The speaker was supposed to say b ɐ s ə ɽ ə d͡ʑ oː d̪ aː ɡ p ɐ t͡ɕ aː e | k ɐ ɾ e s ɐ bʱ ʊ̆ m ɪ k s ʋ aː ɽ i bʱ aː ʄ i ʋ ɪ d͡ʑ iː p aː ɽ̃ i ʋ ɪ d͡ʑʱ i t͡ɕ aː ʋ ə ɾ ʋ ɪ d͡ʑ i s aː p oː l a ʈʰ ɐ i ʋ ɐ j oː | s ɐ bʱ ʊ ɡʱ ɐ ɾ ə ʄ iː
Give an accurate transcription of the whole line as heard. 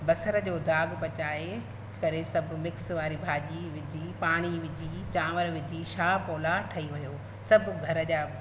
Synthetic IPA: b ɐ s ə ɾ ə d͡ʑ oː d̪ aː ɡ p ɐ t͡ɕ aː e | k ɐ ɾ e s ɐ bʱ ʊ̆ m ɪ k s ʋ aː ɾ i bʱ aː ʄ i ʋ ɪ d͡ʑ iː p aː ɽ̃ i ʋ ɪ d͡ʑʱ i t͡ɕ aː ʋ ə ɾ ʋ ɪ d͡ʑ i ʃ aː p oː l a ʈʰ ɐ i ʋ ɐ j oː | s ɐ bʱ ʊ ɡʱ ɐ ɾ ə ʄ aː